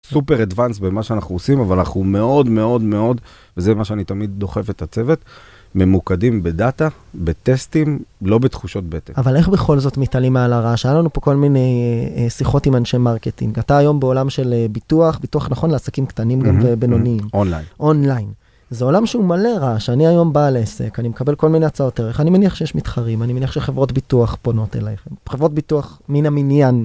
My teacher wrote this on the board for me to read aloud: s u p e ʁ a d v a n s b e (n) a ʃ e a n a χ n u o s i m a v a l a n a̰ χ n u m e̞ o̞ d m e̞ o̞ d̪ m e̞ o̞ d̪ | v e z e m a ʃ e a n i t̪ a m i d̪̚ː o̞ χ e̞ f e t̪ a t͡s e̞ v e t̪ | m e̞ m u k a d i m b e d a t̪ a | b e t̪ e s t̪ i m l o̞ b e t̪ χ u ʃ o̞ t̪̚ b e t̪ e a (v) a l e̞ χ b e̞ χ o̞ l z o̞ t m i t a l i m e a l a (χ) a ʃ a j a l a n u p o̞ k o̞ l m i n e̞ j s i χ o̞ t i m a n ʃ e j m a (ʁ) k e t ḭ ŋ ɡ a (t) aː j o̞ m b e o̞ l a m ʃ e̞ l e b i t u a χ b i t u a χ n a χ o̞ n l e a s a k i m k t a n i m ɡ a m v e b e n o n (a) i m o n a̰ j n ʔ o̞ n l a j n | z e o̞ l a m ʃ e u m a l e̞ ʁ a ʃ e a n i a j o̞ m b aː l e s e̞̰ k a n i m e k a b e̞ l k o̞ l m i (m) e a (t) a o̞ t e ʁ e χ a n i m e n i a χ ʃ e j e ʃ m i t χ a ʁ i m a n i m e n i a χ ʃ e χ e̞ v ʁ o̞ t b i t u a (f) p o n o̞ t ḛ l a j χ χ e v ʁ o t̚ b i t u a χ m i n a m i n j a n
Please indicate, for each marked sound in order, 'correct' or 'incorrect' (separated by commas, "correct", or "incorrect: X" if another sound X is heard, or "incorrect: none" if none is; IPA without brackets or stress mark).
incorrect: m, correct, incorrect: ʁ, correct, correct, incorrect: i, incorrect: n, incorrect: t͡s, incorrect: χ